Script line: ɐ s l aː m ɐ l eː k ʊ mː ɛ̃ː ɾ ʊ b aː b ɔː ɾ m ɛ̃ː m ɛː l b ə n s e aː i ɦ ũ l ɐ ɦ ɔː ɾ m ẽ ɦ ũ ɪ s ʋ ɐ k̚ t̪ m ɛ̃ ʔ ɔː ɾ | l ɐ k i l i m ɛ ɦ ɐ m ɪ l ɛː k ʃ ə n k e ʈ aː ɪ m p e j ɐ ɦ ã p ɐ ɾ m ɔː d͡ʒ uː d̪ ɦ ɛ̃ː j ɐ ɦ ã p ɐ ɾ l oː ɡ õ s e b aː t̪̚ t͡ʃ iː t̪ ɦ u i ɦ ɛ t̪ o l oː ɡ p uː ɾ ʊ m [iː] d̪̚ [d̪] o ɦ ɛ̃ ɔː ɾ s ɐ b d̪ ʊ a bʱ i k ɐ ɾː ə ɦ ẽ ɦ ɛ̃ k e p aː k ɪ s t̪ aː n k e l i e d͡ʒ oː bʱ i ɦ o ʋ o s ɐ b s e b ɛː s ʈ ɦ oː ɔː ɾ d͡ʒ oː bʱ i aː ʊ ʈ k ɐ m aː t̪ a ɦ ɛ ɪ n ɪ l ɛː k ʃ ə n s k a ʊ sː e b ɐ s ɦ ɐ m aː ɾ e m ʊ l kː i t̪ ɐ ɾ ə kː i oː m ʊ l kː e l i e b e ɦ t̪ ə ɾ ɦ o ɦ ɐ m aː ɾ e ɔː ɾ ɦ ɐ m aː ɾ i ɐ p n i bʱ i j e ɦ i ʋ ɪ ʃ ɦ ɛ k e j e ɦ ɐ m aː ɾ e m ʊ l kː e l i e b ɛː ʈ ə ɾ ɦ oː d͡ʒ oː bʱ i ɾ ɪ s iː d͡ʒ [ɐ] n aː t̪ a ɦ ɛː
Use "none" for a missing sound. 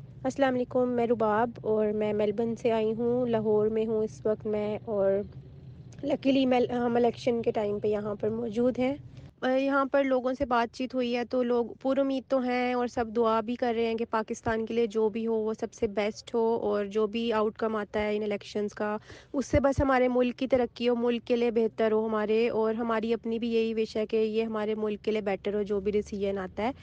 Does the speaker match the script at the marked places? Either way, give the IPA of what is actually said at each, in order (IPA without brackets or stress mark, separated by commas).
iː, t̪, ə